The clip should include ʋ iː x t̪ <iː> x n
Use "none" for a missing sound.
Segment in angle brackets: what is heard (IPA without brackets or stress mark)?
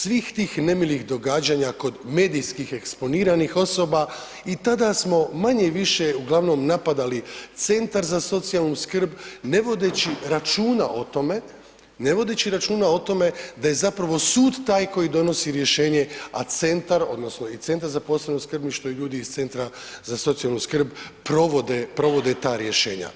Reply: iː